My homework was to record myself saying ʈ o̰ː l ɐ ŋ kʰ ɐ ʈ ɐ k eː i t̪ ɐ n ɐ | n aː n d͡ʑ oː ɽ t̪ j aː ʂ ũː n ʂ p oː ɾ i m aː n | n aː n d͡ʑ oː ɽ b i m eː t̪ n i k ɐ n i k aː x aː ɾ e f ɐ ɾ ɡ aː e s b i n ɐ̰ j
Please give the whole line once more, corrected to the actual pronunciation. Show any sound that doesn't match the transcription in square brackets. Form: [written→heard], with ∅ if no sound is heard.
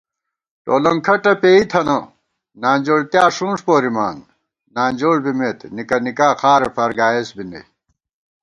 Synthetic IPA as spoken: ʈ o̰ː l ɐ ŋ kʰ ɐ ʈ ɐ [k→p] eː i [t̪→t̪ʰ] ɐ n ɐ | n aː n d͡ʑ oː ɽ t̪ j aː ʂ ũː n ʂ p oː ɾ i m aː n | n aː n d͡ʑ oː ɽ b i m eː t̪ n i k ɐ n i k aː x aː ɾ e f ɐ ɾ ɡ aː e s b i n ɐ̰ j